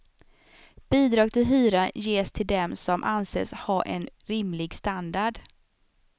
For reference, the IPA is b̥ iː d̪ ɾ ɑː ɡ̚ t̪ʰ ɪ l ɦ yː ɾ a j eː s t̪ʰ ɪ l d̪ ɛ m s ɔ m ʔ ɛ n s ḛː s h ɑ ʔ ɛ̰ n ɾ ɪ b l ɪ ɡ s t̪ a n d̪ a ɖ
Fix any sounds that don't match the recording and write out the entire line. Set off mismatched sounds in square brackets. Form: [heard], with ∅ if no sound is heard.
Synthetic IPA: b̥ iː d̪ ɾ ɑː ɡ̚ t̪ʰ ɪ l ɦ yː ɾ a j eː s t̪ʰ ɪ l d̪ ɛ m s ɔ m ʔ [a] n s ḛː s h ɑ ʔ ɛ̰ n ɾ ɪ [m] l ɪ ɡ s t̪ a n d̪ a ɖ